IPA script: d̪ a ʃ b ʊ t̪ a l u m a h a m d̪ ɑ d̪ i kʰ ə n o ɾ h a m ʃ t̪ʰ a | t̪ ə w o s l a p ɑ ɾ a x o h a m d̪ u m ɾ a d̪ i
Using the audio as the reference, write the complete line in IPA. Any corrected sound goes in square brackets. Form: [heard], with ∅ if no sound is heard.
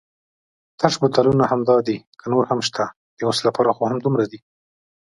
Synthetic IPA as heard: [t̪] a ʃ b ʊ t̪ a l u [n] a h a m d̪ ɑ d̪ i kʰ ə n o ɾ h a m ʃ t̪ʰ a | [d̪] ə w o s l a p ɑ ɾ a x o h a m d̪ u m ɾ a d̪ i